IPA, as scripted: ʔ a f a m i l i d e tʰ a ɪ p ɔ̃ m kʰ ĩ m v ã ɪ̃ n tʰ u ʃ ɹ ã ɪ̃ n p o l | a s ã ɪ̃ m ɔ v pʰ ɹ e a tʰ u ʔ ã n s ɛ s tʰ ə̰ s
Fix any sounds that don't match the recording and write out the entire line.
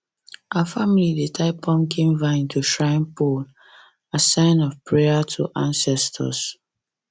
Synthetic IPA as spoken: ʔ a f a m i l i d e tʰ a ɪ p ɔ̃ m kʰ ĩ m v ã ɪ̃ n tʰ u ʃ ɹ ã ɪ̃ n p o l | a s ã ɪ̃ n ɔ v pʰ ɹ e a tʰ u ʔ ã n s ɛ s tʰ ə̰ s